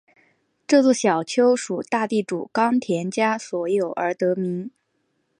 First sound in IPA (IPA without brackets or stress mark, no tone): ʈ͡ʂ